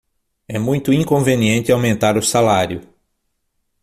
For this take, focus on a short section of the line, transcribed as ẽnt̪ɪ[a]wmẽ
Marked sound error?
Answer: no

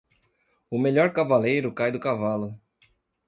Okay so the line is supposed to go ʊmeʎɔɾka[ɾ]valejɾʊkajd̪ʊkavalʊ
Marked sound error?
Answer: yes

